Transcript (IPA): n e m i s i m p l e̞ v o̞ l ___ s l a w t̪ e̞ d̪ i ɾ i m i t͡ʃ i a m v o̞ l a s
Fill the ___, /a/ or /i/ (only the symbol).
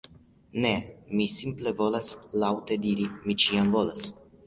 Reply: a